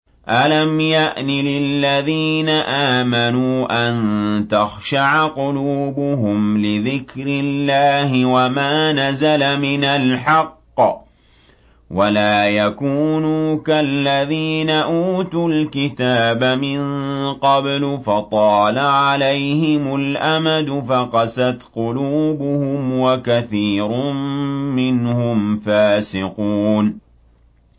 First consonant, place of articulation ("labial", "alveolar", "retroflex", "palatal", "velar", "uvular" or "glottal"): glottal